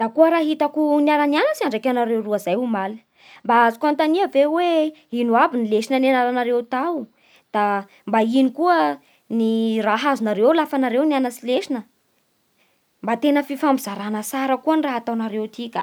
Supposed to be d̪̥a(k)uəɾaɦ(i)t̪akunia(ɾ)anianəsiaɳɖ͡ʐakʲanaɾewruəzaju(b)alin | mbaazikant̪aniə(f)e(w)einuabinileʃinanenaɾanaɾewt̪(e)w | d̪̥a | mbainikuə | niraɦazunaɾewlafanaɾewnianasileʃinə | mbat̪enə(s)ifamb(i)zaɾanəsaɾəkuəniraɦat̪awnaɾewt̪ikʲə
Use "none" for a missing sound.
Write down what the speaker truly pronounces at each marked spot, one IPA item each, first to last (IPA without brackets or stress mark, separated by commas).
k, i, ɾ, m, v, w, a, f, i